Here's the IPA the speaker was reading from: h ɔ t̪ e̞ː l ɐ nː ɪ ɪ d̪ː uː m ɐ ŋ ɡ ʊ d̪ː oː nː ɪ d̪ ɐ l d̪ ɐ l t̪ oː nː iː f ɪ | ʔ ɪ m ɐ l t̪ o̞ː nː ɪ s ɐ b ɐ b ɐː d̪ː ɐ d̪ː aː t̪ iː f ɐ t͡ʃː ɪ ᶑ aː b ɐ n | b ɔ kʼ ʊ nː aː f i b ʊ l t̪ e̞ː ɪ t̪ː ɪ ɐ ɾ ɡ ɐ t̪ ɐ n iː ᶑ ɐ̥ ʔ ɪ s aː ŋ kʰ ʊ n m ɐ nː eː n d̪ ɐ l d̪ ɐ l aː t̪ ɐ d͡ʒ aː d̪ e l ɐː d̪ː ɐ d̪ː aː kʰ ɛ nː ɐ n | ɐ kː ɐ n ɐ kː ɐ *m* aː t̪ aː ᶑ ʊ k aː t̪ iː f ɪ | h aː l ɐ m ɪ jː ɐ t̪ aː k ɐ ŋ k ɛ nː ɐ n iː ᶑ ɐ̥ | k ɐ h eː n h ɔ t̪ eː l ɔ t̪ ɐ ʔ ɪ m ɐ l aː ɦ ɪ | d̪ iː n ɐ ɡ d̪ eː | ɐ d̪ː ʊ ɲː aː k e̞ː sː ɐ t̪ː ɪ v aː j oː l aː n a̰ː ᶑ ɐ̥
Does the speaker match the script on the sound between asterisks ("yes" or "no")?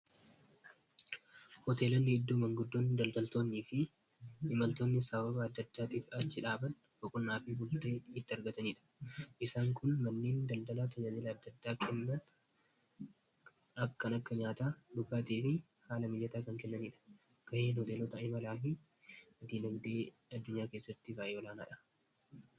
no